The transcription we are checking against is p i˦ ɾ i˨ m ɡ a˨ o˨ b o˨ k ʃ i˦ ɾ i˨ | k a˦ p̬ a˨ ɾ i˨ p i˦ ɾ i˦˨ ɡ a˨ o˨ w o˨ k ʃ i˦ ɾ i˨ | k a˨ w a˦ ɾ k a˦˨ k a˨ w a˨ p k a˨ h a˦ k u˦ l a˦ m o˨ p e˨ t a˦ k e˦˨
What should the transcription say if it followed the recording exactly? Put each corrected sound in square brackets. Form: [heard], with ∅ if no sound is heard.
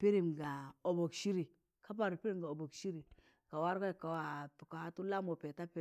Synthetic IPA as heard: p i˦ ɾ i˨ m ɡ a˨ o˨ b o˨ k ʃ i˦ ɾ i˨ | k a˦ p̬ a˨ ɾ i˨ p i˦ ɾ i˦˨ ɡ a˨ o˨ [b] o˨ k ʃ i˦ ɾ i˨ | k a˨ w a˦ ɾ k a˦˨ k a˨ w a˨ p k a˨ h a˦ [t] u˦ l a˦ m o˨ p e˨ t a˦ [p] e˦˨